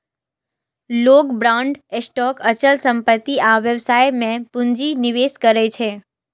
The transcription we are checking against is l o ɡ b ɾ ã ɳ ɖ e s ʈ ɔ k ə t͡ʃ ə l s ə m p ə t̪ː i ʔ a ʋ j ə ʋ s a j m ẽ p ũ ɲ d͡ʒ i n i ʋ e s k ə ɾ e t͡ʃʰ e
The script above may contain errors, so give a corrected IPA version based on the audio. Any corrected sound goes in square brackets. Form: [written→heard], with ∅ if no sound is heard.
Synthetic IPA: l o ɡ b ɾ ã ɳ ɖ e s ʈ ɔ k ə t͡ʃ ə l s ə m p ə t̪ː i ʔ a ʋ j ə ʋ s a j m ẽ p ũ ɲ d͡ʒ i n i ʋ e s k ə ɾ e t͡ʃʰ e